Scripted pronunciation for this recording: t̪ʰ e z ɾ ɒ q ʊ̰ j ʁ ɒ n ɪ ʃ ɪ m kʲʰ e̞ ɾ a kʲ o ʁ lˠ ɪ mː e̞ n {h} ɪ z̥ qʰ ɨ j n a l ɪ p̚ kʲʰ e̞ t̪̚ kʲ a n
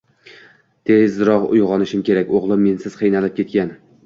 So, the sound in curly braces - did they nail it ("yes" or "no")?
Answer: no